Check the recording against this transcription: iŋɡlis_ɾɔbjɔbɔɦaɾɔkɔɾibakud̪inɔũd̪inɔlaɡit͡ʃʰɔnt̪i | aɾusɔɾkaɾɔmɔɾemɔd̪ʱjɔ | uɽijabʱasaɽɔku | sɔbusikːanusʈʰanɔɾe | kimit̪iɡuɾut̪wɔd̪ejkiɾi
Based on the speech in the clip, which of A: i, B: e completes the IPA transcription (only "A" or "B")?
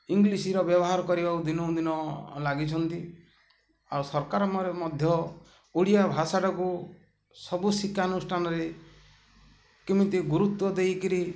A